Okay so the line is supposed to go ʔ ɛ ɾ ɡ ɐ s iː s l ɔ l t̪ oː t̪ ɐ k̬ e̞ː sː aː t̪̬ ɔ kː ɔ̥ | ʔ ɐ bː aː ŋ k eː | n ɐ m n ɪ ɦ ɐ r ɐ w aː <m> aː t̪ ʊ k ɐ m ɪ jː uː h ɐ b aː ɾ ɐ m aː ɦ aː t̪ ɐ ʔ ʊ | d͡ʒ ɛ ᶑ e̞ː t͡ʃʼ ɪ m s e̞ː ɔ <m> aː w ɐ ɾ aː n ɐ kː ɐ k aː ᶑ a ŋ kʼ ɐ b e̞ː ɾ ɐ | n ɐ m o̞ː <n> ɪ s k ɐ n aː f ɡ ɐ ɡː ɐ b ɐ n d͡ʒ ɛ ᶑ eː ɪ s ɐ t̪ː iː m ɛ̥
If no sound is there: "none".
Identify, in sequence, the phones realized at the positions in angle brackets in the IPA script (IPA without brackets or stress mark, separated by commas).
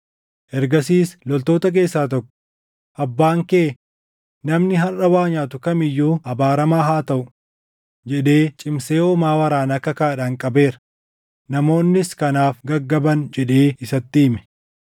ɲ, m, nː